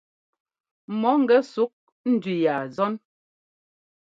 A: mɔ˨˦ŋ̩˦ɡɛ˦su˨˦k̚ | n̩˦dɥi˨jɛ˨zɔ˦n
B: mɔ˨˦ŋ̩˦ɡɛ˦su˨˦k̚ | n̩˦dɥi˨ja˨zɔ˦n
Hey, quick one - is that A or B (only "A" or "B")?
B